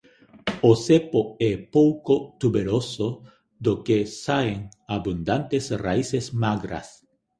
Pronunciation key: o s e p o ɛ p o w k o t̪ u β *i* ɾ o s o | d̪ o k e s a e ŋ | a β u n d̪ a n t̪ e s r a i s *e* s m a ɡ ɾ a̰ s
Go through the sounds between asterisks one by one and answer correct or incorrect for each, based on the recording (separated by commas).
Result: incorrect, correct